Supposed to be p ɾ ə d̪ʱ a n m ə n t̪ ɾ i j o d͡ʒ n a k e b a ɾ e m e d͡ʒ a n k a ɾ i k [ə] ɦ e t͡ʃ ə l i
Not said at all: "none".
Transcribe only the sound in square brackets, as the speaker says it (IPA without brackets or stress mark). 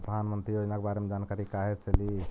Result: a